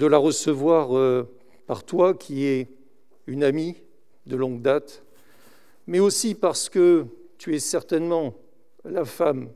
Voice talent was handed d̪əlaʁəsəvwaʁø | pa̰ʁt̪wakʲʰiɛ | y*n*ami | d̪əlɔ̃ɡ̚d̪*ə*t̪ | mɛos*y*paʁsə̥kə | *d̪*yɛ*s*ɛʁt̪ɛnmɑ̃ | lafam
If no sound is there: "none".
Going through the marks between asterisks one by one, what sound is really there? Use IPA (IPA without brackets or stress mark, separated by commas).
n, a, i, t̪, s